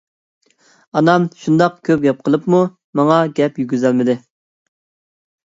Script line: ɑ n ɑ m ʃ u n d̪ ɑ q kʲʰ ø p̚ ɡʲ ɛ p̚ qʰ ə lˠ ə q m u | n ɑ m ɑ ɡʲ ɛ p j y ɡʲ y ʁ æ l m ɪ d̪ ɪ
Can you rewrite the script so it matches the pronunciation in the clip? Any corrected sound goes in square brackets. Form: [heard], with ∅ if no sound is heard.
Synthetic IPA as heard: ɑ n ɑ m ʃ u n d̪ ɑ q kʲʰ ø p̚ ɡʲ ɛ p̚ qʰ ə lˠ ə [p] m u | [m] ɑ [ŋ] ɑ ɡʲ ɛ p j y ɡʲ y [z] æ l m ɪ d̪ ɪ